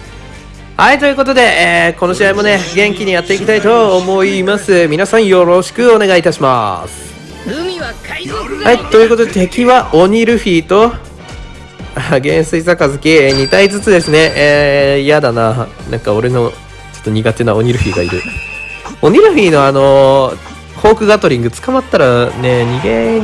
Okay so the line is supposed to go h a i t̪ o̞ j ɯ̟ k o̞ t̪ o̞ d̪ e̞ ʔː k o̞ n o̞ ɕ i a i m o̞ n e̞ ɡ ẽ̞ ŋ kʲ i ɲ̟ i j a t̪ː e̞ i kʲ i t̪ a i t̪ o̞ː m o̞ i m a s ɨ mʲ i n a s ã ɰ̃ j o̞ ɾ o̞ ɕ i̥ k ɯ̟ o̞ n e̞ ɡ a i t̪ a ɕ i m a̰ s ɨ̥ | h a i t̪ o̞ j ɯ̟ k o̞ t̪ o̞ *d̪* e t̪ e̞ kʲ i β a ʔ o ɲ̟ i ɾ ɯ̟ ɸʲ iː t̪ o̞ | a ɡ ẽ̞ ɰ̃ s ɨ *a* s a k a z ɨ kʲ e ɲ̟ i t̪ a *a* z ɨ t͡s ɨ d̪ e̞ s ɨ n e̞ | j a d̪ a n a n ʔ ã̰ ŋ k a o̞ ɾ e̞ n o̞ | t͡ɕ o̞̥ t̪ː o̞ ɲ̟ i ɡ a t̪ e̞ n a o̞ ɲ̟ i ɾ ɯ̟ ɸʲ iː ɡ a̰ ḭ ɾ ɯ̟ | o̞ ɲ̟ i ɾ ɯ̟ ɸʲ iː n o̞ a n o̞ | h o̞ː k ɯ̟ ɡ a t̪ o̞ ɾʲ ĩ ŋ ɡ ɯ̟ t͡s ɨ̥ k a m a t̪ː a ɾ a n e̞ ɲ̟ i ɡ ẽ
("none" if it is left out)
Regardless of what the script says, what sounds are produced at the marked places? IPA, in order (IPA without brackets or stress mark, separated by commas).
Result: d̪, i, i